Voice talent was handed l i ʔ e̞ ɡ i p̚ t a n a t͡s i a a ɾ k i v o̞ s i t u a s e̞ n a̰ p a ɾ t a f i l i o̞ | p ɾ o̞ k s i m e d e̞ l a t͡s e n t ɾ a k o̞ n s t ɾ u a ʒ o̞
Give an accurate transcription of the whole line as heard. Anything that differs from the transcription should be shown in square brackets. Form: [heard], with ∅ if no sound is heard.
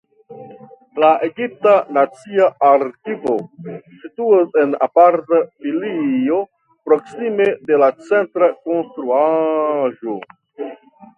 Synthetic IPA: l [a] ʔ e̞ ɡ i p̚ t a n a t͡s i a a ɾ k i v o̞ s i t u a s e̞ n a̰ p a ɾ t a f i l i o̞ | p ɾ o̞ k s i m e d e̞ l a t͡s e n t ɾ a k o̞ n s t ɾ u a ʒ o̞